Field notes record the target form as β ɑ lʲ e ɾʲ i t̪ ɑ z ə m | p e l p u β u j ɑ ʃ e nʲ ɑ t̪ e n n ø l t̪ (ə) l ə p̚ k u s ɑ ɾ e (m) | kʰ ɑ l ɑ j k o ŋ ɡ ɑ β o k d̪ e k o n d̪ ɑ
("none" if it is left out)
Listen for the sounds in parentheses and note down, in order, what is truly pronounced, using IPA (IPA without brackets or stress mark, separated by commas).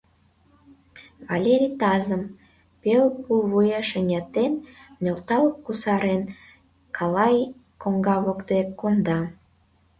ɑ, n